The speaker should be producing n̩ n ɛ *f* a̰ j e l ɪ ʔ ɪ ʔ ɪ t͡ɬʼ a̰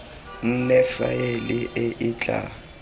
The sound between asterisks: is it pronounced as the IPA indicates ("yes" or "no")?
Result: yes